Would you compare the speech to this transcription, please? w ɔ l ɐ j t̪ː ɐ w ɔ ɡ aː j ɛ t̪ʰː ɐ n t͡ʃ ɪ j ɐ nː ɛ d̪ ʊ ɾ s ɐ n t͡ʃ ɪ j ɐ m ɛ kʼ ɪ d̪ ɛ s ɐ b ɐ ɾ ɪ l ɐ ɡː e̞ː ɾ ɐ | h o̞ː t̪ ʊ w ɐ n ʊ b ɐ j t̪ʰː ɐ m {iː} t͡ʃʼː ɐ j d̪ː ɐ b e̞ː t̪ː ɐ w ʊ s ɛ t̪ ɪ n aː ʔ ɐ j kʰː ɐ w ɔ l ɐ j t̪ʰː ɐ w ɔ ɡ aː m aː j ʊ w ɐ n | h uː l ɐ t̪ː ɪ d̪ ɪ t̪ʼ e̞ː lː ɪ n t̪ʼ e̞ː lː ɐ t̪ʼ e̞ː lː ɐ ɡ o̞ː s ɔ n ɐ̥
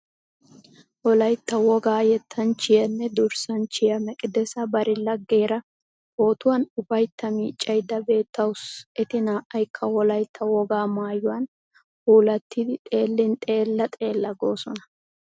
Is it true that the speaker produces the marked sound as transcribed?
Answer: yes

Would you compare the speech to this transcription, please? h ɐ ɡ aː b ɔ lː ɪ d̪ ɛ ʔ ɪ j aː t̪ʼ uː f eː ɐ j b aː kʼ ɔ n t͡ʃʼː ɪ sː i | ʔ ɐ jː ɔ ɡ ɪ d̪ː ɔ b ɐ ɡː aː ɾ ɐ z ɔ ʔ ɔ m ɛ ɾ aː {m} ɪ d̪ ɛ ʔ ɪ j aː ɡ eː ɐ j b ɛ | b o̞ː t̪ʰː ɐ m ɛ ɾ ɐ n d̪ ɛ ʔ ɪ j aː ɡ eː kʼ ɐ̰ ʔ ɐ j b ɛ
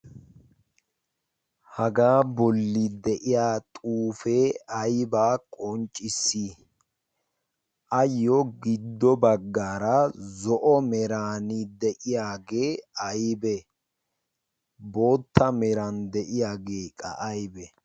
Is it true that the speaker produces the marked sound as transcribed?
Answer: no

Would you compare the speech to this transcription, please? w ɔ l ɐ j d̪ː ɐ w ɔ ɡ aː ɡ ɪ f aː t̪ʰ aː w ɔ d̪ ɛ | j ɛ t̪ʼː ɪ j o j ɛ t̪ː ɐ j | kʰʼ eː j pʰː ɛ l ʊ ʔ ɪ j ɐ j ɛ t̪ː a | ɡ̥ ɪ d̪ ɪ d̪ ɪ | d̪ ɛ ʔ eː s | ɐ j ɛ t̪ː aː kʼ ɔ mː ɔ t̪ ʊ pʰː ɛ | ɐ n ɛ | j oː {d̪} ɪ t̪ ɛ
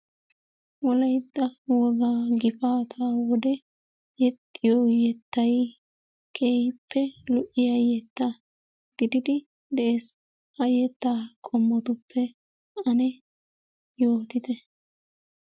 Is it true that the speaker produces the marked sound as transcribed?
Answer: no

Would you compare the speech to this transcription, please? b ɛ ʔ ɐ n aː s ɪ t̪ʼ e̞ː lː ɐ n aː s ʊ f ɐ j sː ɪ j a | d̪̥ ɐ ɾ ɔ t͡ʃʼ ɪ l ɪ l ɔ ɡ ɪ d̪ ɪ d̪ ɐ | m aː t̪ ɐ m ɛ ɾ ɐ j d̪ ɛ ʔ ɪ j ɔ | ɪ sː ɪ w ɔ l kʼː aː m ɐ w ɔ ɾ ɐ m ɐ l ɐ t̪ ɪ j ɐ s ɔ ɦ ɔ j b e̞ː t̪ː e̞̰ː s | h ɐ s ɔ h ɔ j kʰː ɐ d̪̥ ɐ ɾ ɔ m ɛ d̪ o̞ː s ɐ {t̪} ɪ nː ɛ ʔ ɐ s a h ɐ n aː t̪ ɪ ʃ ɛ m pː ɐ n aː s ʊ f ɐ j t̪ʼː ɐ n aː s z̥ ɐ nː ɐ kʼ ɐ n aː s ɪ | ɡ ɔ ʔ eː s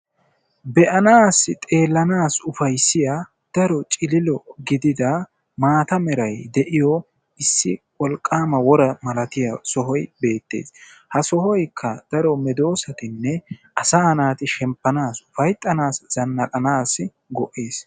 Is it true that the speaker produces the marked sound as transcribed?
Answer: yes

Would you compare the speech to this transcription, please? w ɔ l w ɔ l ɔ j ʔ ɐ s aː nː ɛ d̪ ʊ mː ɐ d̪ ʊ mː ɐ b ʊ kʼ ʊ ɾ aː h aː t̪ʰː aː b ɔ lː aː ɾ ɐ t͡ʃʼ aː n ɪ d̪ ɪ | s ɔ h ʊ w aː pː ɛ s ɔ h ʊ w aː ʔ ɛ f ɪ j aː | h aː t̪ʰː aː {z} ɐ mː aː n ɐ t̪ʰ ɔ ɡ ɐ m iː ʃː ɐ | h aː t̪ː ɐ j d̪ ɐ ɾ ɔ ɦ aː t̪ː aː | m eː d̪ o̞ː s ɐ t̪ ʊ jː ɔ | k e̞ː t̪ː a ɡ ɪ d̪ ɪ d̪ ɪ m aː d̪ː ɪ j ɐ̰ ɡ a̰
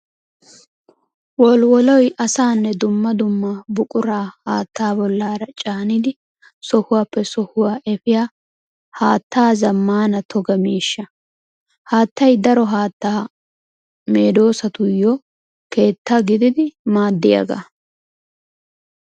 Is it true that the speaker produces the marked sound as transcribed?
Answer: yes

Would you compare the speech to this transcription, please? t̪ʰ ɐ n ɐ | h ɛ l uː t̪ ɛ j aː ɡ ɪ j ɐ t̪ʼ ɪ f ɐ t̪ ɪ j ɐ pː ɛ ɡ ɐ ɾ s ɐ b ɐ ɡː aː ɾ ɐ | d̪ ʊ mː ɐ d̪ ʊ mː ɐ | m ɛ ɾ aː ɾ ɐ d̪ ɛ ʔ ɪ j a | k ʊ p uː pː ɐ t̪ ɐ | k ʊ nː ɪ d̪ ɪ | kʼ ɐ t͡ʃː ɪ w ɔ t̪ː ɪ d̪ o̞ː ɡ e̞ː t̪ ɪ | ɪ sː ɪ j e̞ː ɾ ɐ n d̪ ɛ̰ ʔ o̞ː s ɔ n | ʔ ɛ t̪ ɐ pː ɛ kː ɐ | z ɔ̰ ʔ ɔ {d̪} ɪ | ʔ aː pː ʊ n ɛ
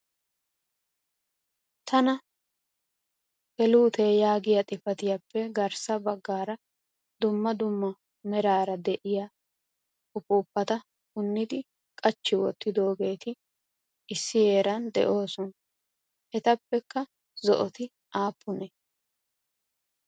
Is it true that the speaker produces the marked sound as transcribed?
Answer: no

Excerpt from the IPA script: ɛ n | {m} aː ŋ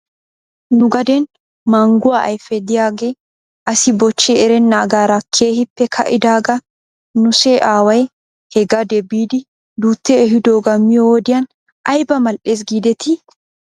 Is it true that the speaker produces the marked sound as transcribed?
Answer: yes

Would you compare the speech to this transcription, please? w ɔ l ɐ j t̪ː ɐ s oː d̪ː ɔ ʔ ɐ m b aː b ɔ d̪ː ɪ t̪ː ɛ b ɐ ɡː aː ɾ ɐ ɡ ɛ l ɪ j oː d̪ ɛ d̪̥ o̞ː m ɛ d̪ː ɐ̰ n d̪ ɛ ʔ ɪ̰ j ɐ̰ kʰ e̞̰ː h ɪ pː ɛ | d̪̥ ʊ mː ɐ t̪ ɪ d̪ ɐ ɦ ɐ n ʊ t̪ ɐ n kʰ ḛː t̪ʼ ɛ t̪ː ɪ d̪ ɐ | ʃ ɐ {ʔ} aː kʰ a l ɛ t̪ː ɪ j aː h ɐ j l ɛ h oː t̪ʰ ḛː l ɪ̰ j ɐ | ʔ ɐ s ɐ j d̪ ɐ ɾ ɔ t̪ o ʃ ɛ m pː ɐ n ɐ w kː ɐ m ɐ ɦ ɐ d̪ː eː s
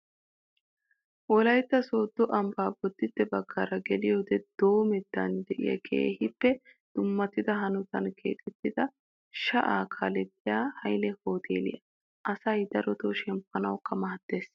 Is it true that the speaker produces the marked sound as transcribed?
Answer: yes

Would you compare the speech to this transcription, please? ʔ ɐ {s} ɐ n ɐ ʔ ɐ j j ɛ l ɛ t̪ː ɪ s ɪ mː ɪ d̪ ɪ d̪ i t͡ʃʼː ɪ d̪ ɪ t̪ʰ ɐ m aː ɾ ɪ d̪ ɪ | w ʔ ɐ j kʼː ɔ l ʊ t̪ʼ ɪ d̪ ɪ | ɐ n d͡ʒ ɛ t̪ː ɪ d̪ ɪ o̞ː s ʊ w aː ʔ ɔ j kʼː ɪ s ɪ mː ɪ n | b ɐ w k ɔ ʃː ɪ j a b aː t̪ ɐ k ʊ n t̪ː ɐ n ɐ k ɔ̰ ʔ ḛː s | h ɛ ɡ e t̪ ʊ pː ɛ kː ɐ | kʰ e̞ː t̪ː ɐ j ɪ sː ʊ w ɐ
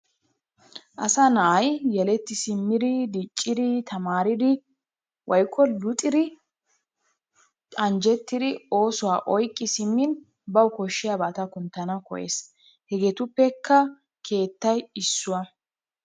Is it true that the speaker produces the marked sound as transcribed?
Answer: yes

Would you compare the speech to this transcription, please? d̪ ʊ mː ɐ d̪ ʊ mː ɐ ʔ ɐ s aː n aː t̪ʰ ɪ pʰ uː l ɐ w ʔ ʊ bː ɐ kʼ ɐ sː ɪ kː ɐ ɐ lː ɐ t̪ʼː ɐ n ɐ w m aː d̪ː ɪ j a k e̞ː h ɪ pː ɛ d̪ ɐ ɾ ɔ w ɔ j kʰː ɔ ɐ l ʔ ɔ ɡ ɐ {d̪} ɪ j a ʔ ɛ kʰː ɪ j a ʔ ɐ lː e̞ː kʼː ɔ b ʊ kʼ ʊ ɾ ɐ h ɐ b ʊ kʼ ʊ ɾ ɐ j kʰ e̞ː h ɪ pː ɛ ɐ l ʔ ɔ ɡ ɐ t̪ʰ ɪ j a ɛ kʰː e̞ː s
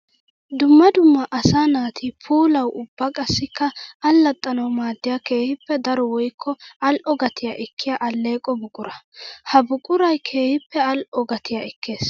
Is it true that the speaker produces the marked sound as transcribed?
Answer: no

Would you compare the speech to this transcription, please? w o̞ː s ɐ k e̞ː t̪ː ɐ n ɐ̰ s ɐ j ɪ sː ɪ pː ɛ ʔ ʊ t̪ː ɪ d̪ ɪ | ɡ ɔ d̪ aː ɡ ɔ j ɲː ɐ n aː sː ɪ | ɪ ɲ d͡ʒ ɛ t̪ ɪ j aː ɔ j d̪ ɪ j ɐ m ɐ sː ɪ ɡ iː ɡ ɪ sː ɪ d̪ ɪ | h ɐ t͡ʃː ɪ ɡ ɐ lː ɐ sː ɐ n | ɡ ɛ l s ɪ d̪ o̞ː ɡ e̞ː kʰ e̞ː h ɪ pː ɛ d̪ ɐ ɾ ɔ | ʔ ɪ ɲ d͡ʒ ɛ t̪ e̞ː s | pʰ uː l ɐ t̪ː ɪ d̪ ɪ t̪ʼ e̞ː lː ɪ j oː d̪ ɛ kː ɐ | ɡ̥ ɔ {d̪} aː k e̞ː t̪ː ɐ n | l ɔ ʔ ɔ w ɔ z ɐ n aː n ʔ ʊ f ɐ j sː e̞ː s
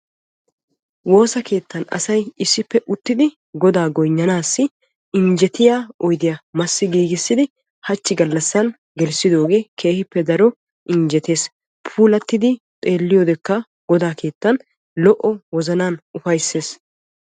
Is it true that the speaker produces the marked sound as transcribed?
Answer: yes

